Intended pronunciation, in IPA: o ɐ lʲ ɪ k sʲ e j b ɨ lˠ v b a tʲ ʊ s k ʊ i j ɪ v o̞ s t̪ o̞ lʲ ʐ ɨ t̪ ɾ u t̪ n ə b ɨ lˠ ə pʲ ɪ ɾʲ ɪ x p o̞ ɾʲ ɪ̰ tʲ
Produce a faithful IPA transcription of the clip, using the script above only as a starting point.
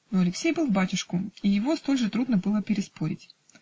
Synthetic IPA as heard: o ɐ lʲ ɪ k sʲ e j b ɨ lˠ v b a tʲ ʊ ʂ k ʊ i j ɪ v o̞ s t̪ o̞ lʲ ʐ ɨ t̪ ɾ u d̪ n ə b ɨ lˠ ə pʲ ɪ ɾʲ ɪ s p o̞ ɾʲ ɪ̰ tʲ